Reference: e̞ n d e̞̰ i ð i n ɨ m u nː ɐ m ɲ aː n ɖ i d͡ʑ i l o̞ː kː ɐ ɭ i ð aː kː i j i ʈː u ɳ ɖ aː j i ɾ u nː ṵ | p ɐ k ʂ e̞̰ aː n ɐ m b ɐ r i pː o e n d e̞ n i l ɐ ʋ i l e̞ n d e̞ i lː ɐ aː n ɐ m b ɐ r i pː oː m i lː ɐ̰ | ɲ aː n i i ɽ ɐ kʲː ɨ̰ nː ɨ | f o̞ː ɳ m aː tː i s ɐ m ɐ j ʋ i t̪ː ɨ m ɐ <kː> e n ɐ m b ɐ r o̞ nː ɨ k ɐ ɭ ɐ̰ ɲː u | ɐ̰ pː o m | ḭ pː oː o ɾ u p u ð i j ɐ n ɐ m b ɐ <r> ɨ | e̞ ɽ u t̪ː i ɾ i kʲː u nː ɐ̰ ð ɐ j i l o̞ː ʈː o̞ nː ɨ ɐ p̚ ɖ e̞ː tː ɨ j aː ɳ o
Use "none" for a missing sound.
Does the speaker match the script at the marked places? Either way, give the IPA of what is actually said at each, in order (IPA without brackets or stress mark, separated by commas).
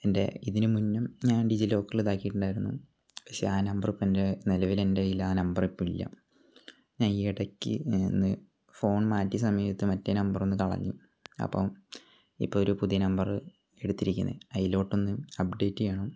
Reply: tː, r